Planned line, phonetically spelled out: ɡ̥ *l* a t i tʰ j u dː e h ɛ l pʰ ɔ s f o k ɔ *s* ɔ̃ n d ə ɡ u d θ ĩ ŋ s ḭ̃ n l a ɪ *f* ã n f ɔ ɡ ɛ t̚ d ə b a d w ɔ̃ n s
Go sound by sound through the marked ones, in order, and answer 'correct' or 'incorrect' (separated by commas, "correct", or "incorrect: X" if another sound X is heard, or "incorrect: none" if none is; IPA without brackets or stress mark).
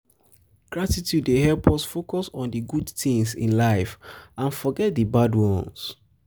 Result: incorrect: ɹ, correct, correct